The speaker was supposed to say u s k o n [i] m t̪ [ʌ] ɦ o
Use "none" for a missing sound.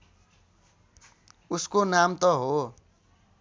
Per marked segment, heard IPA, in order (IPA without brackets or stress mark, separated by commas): a, ʌ